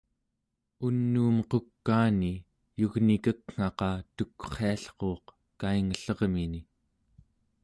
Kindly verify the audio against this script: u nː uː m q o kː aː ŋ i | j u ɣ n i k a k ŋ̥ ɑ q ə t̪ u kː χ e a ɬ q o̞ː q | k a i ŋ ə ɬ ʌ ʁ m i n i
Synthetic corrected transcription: u nː uː m q o kː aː n i | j u ɣ n i k ə k ŋ̥ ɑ q ɑ t̪ u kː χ e a ɬ q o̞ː q | k a i ŋ ə ɬ ʌ ʁ m i n i